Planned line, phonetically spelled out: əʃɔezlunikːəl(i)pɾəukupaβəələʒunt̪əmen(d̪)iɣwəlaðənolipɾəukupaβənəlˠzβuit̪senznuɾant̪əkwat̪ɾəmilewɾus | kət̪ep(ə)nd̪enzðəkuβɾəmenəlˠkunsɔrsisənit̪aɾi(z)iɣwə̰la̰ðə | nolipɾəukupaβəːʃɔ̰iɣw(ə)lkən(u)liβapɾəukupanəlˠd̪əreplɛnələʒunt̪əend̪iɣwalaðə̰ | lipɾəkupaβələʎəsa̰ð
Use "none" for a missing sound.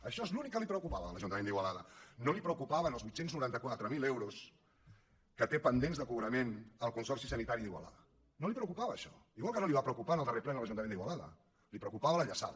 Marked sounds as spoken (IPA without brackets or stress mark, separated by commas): i, d̪, ə, ð, a, o